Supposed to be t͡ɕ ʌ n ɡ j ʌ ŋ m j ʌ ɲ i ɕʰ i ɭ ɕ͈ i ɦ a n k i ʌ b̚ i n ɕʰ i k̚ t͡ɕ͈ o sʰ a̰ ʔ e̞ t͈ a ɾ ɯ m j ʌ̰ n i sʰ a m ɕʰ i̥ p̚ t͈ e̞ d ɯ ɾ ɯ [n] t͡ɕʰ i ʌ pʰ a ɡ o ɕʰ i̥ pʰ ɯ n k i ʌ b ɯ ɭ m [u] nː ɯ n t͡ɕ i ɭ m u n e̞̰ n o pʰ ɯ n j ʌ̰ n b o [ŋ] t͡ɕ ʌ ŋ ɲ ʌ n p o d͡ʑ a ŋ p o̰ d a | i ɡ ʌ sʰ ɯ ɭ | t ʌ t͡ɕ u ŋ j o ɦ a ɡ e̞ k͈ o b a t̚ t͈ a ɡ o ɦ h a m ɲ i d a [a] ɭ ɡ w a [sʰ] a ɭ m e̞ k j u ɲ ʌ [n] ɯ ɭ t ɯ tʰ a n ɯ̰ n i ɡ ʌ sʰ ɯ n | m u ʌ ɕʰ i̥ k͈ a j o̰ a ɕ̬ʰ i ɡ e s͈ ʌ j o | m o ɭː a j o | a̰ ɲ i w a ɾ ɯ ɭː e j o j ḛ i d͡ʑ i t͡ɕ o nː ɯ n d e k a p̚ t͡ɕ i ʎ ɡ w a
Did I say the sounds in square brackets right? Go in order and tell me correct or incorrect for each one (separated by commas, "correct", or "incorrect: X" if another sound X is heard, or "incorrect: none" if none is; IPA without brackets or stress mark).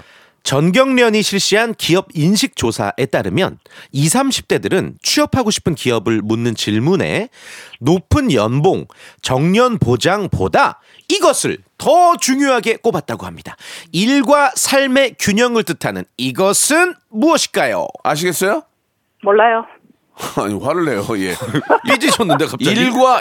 correct, correct, correct, incorrect: i, correct, incorrect: ŋ